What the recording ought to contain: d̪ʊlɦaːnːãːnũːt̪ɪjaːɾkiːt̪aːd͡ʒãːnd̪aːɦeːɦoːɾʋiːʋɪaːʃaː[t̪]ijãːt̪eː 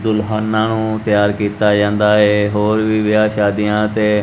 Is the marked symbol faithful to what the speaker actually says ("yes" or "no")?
no